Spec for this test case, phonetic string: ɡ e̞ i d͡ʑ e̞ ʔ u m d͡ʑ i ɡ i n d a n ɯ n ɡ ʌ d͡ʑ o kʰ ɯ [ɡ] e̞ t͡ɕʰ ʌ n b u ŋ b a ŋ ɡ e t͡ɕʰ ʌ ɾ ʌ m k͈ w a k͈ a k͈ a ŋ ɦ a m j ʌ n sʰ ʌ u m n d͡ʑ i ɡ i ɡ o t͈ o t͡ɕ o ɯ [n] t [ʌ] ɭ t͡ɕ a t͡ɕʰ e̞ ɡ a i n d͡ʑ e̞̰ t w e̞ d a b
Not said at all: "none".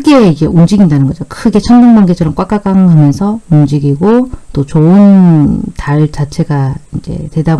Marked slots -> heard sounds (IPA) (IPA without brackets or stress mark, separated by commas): ɡ, n, a